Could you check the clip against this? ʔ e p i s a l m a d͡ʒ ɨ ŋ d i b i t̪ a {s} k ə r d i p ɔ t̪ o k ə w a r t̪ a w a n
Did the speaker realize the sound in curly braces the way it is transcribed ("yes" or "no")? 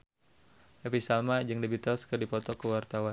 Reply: yes